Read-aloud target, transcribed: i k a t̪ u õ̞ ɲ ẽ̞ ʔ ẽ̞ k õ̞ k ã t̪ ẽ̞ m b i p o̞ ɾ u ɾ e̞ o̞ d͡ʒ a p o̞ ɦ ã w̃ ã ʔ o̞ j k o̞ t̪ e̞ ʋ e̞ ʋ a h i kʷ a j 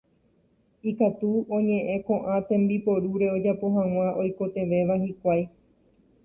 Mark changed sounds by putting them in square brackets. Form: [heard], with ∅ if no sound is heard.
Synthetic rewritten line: i k a t̪ u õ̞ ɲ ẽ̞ ʔ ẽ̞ k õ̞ [ʔ] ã t̪ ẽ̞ m b i p o̞ ɾ u ɾ e̞ o̞ d͡ʒ a p o̞ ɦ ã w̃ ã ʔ o̞ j k o̞ t̪ e̞ ʋ e̞ ʋ a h i kʷ a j